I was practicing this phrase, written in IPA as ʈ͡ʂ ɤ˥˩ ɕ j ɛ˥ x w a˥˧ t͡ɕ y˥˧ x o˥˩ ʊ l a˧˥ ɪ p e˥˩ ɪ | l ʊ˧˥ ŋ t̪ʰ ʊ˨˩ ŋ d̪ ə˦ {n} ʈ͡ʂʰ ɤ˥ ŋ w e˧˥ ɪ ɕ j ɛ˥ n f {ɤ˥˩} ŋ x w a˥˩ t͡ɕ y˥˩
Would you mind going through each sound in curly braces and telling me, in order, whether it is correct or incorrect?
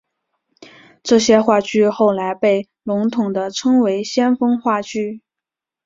incorrect: none, incorrect: ɤ˥

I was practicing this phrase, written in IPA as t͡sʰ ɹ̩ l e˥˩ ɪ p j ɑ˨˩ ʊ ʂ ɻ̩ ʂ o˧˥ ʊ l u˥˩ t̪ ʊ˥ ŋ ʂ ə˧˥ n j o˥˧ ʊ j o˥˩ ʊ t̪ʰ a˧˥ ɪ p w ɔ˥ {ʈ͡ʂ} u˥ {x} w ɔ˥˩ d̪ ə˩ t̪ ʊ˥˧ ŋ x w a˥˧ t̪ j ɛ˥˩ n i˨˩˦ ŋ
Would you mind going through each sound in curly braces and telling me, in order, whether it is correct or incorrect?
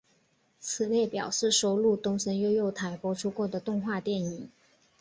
incorrect: ʈ͡ʂʰ, incorrect: k

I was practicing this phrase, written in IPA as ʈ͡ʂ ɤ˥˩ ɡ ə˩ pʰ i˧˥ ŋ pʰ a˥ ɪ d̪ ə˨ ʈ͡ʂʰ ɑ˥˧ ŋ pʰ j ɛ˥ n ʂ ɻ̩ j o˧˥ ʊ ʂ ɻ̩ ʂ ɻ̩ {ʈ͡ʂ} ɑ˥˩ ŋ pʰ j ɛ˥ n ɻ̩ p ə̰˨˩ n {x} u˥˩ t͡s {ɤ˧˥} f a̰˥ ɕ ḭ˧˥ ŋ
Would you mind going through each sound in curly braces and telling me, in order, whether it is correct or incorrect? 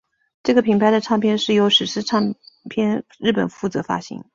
incorrect: ʈ͡ʂʰ, incorrect: f, correct

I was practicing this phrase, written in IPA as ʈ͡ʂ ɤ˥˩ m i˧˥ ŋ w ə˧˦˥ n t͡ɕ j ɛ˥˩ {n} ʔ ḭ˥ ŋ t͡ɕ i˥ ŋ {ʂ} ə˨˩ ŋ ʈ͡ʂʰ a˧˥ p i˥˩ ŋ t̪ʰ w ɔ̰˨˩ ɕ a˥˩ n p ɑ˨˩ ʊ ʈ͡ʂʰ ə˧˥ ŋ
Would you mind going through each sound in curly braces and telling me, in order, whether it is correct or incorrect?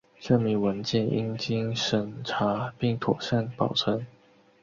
correct, correct

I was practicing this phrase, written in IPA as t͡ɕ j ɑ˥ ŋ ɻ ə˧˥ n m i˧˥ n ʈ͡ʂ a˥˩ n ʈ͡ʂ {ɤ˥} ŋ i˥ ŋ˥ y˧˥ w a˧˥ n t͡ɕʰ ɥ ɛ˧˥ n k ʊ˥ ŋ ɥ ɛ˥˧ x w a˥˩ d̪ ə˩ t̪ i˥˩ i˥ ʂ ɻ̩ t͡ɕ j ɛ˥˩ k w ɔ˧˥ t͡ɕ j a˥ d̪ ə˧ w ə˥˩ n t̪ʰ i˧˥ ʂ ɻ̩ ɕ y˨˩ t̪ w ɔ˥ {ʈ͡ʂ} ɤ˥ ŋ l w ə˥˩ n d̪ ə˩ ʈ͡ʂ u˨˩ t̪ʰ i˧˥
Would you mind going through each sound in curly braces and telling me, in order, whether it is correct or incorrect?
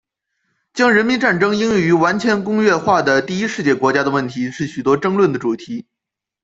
correct, correct

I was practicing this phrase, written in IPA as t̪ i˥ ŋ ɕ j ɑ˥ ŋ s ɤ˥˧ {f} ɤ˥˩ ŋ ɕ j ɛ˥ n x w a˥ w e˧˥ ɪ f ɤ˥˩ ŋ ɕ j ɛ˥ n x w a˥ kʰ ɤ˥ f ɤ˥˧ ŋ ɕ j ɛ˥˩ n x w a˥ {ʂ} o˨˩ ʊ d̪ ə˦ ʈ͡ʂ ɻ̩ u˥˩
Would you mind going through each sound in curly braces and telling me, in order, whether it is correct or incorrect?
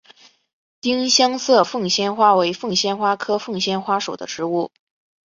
correct, correct

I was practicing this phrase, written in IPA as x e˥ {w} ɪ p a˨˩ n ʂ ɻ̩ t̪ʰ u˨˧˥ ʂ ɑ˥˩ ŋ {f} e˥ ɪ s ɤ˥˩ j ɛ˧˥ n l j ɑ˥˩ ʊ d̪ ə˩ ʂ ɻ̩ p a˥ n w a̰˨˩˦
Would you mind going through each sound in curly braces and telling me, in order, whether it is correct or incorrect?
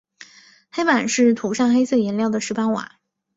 incorrect: none, incorrect: x

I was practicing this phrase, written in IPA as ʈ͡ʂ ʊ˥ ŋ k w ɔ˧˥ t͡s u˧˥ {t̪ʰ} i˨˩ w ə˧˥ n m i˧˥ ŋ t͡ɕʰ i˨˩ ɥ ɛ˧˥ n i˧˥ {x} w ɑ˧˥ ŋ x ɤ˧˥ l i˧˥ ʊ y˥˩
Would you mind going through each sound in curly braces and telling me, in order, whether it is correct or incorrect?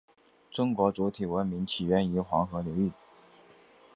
correct, correct

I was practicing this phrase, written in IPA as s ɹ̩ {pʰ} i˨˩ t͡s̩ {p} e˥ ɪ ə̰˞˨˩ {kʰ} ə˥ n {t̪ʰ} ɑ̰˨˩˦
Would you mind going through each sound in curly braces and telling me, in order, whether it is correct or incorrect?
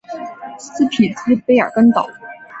correct, correct, incorrect: k, incorrect: t̪

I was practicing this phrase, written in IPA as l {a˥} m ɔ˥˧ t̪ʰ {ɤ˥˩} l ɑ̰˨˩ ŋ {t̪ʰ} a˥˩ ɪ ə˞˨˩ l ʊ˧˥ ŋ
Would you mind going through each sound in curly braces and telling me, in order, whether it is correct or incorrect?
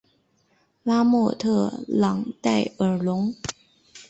correct, correct, incorrect: t̪

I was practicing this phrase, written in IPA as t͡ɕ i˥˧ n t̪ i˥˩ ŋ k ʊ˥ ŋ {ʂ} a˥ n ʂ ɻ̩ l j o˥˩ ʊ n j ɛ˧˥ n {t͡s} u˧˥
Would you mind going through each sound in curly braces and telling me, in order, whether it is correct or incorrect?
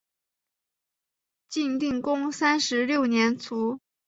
incorrect: s, incorrect: t͡sʰ

